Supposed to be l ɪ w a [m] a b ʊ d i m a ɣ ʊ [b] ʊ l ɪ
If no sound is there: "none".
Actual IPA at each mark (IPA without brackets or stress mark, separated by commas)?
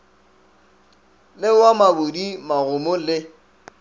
m, m